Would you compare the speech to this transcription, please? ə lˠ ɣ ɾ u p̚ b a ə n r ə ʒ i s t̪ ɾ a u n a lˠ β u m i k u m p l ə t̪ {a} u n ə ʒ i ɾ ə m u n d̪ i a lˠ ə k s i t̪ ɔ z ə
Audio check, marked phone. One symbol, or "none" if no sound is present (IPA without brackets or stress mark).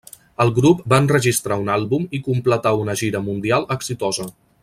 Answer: a